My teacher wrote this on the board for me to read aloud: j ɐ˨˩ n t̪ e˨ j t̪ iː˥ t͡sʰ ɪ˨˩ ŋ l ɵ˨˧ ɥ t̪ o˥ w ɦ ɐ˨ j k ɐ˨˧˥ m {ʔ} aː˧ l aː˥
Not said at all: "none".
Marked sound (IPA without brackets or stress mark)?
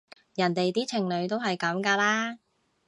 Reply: k